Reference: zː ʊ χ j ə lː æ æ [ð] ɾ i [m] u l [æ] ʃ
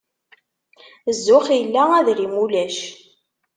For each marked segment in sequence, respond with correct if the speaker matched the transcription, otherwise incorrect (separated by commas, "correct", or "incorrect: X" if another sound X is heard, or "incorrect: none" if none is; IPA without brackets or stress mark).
correct, correct, correct